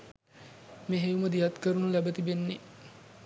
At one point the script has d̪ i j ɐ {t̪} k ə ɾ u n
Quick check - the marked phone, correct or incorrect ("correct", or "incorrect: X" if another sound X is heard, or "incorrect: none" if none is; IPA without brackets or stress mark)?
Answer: correct